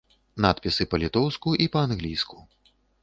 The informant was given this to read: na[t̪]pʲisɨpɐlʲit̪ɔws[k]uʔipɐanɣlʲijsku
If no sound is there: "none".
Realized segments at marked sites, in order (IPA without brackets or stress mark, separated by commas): t̪, k